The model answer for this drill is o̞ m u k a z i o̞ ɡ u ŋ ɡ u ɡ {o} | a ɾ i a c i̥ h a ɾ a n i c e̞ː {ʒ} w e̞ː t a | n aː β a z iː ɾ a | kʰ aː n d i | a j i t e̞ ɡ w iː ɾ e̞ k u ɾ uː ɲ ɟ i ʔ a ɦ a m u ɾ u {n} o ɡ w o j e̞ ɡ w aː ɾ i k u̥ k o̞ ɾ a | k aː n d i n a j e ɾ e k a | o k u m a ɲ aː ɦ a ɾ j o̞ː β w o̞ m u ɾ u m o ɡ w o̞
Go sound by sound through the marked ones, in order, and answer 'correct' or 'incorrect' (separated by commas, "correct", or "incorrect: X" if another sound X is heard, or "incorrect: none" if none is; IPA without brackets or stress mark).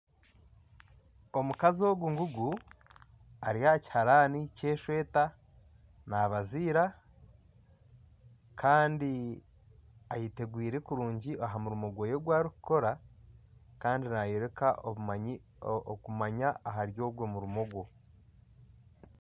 incorrect: u, incorrect: ʃ, incorrect: m